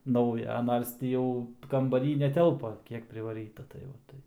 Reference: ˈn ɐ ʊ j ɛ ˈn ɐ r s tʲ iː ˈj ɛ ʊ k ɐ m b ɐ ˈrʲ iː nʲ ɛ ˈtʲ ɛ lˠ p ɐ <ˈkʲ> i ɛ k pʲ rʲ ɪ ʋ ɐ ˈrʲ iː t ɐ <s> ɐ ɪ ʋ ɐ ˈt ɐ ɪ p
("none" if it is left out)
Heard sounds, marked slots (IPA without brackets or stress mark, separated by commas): kʲ, t